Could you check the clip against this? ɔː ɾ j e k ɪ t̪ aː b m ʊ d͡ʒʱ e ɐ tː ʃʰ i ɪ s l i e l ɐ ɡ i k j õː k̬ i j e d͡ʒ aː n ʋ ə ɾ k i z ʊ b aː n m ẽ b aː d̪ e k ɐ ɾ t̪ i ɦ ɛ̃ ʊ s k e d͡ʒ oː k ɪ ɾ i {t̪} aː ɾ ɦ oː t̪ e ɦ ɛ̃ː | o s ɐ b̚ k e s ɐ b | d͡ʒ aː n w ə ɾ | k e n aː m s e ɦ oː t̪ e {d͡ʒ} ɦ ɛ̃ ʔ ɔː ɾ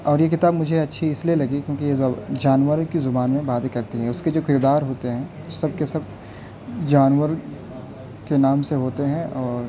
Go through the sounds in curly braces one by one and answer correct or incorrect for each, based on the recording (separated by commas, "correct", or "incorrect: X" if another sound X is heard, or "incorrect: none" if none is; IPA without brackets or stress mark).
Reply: incorrect: d̪, incorrect: none